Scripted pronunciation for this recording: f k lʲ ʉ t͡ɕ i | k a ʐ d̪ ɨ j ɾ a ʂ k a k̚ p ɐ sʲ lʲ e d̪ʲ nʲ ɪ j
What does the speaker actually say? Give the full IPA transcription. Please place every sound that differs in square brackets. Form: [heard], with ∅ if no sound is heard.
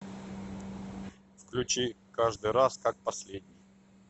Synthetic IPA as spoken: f k lʲ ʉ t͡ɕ i | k a ʐ d̪ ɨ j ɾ a [s] k a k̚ p ɐ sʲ lʲ e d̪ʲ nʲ ɪ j